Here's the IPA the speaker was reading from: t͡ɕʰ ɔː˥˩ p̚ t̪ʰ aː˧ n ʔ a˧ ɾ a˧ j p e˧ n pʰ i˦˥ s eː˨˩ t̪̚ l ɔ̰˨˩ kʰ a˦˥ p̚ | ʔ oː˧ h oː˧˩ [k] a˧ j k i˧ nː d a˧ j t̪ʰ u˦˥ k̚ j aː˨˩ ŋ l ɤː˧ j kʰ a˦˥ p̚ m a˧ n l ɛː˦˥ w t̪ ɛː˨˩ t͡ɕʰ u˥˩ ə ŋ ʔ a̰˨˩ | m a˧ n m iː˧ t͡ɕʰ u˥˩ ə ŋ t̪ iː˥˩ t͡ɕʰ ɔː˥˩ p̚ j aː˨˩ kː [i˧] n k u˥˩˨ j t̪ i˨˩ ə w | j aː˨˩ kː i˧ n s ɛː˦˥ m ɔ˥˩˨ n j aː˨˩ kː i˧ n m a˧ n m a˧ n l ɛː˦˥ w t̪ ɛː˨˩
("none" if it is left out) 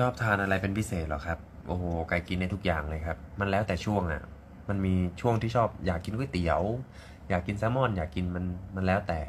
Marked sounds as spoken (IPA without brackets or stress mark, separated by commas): k, i˧